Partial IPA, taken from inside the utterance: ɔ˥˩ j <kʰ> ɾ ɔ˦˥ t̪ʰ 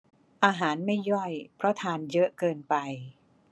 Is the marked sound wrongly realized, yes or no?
yes